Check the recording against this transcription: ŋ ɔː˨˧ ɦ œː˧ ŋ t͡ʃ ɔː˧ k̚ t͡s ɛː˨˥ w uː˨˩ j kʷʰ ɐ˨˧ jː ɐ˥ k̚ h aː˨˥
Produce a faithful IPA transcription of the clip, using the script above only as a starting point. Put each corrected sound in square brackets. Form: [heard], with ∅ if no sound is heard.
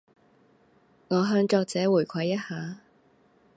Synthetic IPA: ŋ ɔː˨˧ ɦ œː˧ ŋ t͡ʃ ɔː˧ k̚ t͡s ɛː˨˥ w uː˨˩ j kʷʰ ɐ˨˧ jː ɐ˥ [t̚] h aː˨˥